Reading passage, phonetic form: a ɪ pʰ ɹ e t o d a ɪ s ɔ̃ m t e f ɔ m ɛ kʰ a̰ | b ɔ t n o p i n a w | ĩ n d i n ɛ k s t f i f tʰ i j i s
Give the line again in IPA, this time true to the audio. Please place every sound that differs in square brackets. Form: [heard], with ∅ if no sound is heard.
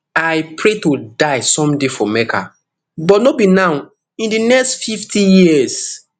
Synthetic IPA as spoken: a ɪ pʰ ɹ e t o d a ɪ s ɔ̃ m [d] e f ɔ m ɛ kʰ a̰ | b ɔ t n o [b] i n a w | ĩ n d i n ɛ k s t f i f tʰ i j i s

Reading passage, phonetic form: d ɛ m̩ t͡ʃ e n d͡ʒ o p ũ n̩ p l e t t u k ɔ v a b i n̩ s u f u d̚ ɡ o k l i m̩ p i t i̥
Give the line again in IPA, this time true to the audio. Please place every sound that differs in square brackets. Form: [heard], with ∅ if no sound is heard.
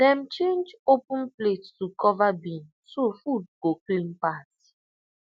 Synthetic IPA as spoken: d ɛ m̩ t͡ʃ e n d͡ʒ o p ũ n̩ p l e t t u k ɔ v a b i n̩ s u f u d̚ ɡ o k l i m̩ p [a] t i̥

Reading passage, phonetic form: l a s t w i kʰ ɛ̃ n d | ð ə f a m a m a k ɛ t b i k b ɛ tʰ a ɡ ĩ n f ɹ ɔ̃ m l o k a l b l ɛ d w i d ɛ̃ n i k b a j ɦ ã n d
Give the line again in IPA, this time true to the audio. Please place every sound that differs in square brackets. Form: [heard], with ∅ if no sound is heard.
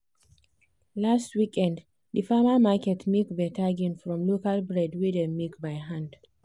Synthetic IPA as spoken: l a s t w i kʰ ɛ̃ n d | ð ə f a m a m a k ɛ t [m] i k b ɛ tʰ a ɡ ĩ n f ɹ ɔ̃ m l o k a l b [ɹ] ɛ d w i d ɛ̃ [m] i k b a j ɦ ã n d

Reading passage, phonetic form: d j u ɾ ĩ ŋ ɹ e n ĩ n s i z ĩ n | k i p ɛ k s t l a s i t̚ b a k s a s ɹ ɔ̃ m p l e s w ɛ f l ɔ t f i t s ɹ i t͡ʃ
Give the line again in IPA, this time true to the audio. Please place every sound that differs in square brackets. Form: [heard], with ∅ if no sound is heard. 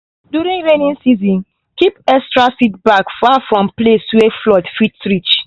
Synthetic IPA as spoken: d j u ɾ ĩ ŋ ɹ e n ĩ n s i z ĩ n | k i p ɛ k s t [ɹ] a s i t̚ b a k [f] a [f] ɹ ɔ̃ m p l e s w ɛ f l ɔ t f i t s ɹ i t͡ʃ

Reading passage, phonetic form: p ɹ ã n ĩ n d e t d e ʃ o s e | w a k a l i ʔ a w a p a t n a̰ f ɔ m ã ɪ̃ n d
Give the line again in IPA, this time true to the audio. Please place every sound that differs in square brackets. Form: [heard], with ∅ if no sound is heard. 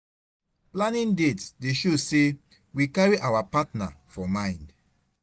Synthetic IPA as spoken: p [l] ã n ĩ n d e t d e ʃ o s e | w [i] k a [ɹ] i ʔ a w a p a t n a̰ f ɔ m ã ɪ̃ n d

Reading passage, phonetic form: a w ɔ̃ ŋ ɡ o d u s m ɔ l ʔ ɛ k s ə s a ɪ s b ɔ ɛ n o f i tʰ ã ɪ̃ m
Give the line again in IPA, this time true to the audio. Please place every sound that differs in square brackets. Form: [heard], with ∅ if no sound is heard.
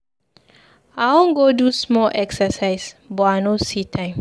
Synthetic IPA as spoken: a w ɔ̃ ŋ ɡ o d u s m ɔ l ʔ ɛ k s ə s a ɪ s b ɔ [a] n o [s] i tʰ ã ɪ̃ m

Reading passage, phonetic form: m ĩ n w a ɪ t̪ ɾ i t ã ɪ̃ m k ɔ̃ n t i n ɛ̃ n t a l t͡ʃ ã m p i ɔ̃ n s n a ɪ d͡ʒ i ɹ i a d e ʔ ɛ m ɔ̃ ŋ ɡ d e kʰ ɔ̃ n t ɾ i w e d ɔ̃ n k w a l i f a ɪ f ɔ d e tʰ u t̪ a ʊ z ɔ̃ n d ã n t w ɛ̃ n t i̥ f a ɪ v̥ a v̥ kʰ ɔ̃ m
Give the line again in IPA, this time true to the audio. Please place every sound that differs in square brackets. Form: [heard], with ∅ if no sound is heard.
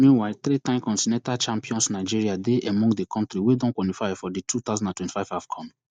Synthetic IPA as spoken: m ĩ n w a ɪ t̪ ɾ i t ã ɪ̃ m k ɔ̃ n t i n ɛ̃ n t a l t͡ʃ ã m p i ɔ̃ n s n a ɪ d͡ʒ i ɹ i a d e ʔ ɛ m ɔ̃ ŋ ɡ d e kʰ ɔ̃ n t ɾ i w e d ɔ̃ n k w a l i f a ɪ f ɔ d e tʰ u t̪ a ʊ z ɔ̃ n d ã n t w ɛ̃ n t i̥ f a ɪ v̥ a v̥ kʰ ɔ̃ m

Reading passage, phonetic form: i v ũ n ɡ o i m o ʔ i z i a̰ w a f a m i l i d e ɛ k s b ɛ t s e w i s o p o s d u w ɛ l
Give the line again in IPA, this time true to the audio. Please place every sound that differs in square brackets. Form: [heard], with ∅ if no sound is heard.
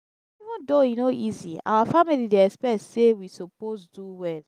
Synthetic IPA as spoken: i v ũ n [d] o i [n] o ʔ i z i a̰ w a f a m i l i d e ɛ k s [p] ɛ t s e w i s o p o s d u w ɛ l

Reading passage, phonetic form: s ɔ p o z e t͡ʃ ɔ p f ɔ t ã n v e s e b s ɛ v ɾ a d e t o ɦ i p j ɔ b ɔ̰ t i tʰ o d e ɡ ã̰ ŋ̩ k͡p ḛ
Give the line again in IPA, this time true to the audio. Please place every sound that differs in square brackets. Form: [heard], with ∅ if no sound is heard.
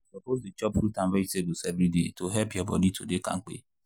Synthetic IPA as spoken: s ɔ p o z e t͡ʃ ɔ p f [u] t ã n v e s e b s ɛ v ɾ [i] d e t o ɦ [ɛ] p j ɔ b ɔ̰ [d] i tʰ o d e [k] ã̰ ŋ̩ k͡p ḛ

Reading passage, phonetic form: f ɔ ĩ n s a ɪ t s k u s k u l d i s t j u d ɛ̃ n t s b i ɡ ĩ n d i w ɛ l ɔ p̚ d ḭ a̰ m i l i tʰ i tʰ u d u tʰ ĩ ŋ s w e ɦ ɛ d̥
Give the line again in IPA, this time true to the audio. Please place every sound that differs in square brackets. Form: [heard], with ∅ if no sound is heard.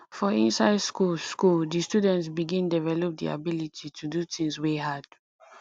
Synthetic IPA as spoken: f ɔ ĩ n s a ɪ [d] s k u s k u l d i s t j u d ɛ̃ n t s b i ɡ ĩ n d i [v] ɛ l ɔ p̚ d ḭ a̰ [b] i l i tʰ i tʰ u d u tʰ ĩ ŋ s w e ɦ [a] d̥

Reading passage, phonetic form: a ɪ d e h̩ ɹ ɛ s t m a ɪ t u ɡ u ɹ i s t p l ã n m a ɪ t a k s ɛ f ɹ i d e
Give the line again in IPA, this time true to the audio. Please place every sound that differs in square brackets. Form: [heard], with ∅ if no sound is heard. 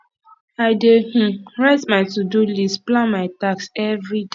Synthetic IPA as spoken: a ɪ d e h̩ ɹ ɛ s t m a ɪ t u [d] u [l] i s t p l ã n m a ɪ t a k s ɛ [v] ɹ i d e

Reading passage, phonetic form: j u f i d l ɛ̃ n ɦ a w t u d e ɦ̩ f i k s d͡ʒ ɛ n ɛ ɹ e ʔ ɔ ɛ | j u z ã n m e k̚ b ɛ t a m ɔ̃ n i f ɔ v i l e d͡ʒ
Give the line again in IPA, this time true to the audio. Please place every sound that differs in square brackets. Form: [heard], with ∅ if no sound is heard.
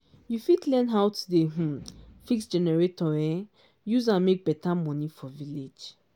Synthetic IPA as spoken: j u f i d l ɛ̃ n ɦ a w t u d e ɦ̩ f i k s d͡ʒ ɛ n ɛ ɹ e [t] ɔ ɛ | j u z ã n m e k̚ b ɛ t a m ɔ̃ n i f ɔ v i l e d͡ʒ

